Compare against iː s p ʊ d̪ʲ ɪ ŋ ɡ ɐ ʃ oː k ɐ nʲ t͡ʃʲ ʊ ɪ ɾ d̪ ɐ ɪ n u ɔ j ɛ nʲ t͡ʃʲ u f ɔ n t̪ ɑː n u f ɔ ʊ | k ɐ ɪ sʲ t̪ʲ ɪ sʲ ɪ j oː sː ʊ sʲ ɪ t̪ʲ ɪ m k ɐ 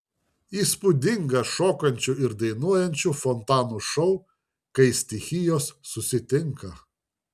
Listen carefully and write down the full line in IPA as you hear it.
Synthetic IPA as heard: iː s p ʊ d̪ʲ ɪ ŋ ɡ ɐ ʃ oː k ɐ nʲ t͡ʃʲ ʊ ɪ ɾ d̪ ɐ ɪ n u ɔ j ɛ nʲ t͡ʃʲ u f ɔ n t̪ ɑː n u ʃ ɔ ʊ | k ɐ ɪ sʲ t̪ʲ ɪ xʲ ɪ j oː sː ʊ sʲ ɪ t̪ʲ ɪ ŋ k ɐ